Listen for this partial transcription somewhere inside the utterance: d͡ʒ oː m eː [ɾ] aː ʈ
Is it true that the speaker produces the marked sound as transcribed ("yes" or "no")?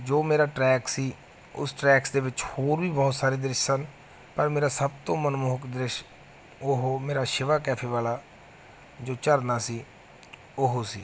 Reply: yes